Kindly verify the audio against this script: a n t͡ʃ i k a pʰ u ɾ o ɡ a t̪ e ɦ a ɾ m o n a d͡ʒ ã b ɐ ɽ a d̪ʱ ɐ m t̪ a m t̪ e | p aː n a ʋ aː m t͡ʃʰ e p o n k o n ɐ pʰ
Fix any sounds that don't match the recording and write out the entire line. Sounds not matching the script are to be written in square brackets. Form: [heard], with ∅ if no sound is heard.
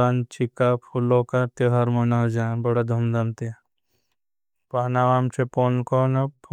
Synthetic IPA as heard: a n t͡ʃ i k a pʰ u [l] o [k] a t̪ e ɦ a ɾ m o n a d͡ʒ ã b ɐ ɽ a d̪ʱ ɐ m [d̪] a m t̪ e | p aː n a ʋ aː m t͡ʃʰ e p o n k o n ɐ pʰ